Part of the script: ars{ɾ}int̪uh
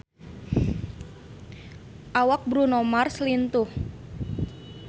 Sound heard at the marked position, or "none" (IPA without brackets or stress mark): l